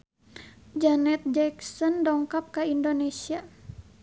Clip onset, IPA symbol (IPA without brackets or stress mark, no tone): d͡ʒ